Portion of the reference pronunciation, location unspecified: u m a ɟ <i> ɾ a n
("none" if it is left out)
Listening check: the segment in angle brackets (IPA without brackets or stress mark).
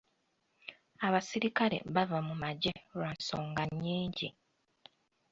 e